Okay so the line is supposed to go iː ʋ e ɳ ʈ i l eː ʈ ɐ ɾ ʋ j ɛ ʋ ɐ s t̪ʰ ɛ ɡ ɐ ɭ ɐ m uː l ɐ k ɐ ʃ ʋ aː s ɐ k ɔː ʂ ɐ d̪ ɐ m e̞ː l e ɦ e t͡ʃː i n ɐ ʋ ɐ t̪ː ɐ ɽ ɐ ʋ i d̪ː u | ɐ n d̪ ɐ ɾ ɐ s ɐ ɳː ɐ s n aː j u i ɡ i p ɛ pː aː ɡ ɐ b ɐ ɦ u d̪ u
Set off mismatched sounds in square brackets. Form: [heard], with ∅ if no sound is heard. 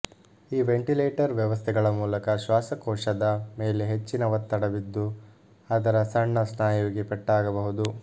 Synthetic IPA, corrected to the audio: iː ʋ e ɳ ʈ i l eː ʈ ɐ ɾ ʋ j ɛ ʋ ɐ s t̪ʰ ɛ ɡ ɐ ɭ ɐ m uː l ɐ k ɐ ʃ ʋ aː s ɐ k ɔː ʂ ɐ d̪ ɐ m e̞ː l e ɦ e t͡ʃː i n ɐ ʋ ɐ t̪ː ɐ ɽ ɐ ʋ i d̪ː u | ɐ [∅] d̪ ɐ ɾ ɐ s ɐ ɳː ɐ s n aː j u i ɡ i p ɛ [ʈː] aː ɡ ɐ b ɐ ɦ u d̪ u